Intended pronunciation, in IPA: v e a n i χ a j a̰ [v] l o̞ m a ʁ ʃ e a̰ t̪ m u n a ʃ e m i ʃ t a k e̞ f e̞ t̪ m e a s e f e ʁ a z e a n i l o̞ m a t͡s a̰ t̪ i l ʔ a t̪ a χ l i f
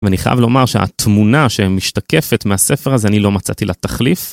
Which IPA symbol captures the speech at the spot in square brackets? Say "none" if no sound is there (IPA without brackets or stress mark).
v